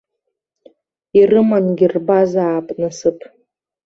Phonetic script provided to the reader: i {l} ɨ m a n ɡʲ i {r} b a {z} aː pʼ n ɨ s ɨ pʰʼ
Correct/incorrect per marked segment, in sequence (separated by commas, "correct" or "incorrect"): incorrect, correct, correct